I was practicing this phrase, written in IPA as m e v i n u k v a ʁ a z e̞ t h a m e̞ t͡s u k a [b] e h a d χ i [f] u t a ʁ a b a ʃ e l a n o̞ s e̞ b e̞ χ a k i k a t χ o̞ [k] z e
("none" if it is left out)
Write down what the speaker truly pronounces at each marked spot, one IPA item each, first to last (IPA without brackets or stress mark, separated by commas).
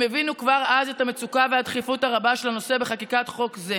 v, f, k